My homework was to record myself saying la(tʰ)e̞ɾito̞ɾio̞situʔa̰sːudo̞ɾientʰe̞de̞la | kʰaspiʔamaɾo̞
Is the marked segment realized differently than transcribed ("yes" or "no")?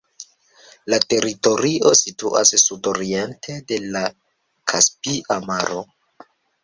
yes